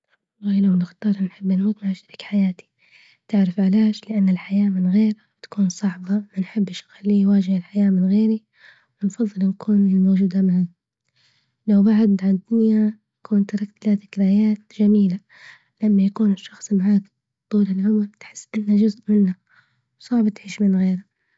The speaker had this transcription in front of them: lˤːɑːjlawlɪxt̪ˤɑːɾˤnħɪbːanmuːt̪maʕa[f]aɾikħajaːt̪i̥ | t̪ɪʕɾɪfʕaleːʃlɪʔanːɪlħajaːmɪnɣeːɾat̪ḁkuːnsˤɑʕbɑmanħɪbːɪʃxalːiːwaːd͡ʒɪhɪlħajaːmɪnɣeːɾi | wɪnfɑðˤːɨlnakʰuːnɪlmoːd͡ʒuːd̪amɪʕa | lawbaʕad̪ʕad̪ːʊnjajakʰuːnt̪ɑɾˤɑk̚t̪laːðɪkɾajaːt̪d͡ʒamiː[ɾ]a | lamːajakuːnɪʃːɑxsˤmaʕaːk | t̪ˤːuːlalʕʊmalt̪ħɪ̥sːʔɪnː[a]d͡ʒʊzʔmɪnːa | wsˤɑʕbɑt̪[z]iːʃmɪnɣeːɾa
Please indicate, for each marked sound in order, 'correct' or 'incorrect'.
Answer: incorrect, incorrect, correct, incorrect

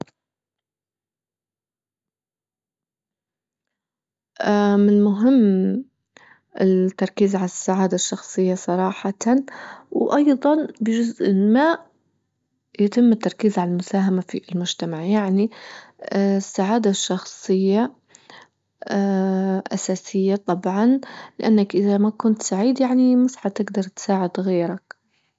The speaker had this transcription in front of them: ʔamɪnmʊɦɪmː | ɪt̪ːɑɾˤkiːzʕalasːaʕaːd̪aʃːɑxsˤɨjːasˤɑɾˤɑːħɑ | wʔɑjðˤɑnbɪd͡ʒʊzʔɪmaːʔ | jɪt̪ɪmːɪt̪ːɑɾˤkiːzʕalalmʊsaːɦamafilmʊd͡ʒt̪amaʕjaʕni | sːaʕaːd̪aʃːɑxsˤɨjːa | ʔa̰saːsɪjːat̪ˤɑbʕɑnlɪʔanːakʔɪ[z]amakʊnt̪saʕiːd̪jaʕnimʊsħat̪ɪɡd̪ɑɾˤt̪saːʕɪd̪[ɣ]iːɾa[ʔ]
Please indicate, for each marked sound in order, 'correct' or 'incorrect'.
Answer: incorrect, correct, incorrect

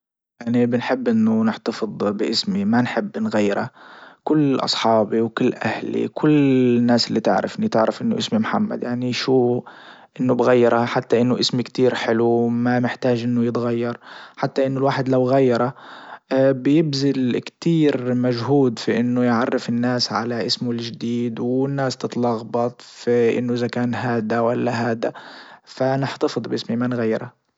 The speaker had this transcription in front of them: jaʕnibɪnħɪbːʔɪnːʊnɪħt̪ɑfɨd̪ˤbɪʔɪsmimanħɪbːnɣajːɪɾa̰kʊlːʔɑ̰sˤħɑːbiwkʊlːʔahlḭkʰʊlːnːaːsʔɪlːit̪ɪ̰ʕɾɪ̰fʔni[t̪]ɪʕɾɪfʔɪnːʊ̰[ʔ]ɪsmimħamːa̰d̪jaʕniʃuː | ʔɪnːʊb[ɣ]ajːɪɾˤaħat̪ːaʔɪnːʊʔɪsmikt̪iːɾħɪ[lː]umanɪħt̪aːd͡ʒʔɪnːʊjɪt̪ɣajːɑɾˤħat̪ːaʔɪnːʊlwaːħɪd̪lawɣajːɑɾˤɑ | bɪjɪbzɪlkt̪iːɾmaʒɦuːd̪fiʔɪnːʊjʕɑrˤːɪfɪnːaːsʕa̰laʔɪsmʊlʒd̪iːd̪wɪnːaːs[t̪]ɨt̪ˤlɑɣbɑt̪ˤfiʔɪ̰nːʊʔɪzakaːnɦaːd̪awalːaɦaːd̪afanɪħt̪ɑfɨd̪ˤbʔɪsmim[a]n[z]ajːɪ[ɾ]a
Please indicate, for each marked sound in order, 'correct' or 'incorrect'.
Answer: correct, correct, correct, incorrect, correct, correct, incorrect, correct

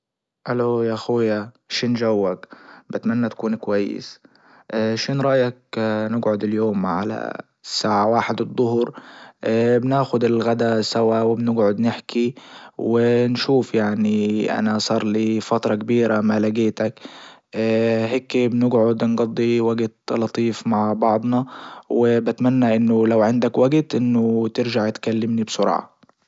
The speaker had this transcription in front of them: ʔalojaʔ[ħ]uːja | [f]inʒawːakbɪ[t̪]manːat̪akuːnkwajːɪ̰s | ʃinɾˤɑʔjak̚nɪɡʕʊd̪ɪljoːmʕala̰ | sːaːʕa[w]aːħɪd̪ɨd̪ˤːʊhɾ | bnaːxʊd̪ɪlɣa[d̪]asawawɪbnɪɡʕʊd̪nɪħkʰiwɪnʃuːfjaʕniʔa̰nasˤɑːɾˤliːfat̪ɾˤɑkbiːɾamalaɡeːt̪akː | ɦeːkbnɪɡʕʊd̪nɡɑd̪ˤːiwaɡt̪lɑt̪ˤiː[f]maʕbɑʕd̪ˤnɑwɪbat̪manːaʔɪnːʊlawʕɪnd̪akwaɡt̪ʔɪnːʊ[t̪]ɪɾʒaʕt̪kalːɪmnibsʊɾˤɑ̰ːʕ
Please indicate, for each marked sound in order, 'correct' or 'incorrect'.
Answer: incorrect, incorrect, correct, correct, correct, correct, correct

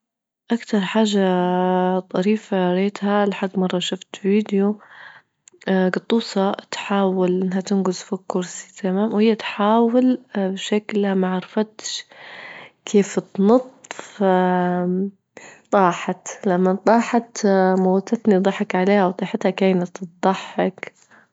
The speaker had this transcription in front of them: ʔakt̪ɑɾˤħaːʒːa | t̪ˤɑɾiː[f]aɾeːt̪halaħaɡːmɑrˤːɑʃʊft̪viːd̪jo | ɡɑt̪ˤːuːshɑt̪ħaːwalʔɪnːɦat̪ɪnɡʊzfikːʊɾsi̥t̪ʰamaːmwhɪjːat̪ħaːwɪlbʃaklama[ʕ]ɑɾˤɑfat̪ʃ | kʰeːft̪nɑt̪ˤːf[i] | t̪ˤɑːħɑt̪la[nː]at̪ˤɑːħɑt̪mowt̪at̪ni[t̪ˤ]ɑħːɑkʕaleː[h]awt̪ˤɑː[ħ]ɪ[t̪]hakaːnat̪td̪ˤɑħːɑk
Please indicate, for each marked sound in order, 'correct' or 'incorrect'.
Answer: correct, correct, incorrect, incorrect, incorrect, correct, correct, correct

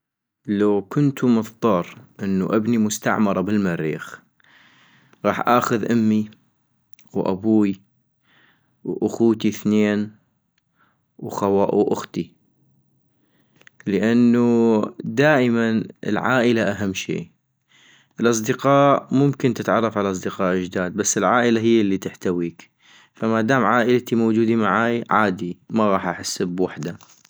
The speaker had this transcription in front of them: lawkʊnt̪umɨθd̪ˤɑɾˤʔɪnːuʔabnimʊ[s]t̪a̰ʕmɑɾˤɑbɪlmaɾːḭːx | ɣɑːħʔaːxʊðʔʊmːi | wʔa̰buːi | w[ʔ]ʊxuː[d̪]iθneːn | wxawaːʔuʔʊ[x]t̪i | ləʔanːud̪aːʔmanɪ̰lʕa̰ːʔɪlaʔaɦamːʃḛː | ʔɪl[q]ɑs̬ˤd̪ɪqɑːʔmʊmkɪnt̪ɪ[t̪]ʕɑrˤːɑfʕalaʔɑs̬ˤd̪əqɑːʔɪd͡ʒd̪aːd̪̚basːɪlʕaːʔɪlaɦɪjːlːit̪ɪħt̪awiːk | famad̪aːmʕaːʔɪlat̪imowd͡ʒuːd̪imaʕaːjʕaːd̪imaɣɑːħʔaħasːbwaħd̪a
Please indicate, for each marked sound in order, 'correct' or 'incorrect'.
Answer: correct, correct, incorrect, correct, incorrect, correct

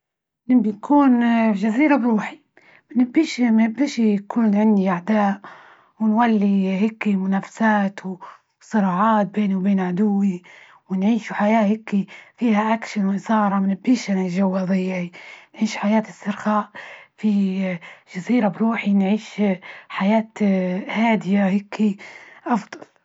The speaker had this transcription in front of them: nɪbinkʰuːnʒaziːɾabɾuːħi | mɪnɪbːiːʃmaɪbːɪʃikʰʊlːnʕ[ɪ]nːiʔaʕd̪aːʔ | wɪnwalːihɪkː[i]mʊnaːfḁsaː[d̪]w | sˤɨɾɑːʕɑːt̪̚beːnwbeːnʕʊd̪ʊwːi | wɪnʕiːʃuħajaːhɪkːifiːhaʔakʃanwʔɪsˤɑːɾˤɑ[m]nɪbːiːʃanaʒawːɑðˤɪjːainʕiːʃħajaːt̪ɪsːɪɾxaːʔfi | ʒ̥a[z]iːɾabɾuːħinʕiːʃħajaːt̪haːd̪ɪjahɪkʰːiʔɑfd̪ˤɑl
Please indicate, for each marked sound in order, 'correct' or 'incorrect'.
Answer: correct, correct, incorrect, correct, correct

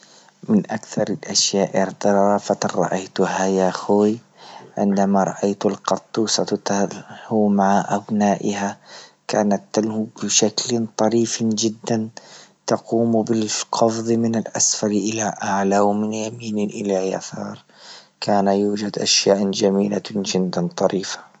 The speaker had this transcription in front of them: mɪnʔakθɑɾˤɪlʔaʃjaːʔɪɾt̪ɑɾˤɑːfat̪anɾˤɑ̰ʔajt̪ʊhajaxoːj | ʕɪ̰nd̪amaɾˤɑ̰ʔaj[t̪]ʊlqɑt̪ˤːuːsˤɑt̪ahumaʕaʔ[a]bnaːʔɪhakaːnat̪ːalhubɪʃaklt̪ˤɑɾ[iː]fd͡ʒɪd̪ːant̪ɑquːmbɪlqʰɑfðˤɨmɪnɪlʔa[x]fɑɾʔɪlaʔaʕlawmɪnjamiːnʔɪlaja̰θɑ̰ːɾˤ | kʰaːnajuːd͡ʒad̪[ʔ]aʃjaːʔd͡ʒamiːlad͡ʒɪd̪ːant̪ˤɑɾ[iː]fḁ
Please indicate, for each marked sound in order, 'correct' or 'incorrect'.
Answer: correct, correct, correct, incorrect, correct, correct

